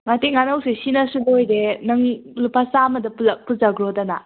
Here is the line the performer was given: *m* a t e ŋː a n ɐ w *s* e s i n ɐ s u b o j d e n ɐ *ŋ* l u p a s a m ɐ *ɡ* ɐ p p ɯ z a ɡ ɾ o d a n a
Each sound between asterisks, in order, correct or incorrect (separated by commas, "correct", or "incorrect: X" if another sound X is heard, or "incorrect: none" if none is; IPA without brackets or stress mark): incorrect: ŋ, correct, correct, incorrect: d